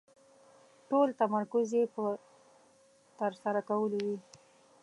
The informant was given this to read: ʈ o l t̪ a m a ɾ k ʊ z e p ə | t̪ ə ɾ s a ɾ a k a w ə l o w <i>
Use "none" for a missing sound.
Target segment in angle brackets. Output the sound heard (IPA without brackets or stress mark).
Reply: i